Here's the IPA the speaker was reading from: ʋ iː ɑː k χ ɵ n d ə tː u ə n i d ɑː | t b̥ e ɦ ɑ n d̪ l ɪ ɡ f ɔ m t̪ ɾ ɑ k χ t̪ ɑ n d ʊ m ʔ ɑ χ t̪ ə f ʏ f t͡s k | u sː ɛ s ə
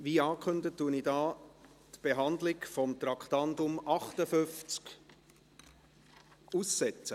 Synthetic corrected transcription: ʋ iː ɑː k χ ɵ n d ə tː u ə n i d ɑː | t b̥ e ɦ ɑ n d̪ l ɪ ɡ f ɔ m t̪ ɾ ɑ k χ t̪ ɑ n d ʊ m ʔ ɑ χ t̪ ə f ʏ f t͡s k | u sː ɛ t͡s ə